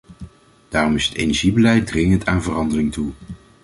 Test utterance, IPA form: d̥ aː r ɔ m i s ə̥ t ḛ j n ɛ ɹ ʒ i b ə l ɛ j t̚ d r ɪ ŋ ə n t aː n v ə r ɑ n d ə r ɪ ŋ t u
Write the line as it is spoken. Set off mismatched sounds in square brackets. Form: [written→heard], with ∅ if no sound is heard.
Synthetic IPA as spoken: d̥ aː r ɔ m [i→ɪ] s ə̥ t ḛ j n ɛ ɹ ʒ i b ə l ɛ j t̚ d r ɪ ŋ ə n t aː n v ə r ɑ n d ə r ɪ ŋ t u